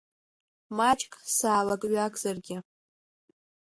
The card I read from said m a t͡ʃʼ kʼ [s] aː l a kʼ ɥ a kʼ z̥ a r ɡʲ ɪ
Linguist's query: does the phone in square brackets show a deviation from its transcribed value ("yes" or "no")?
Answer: no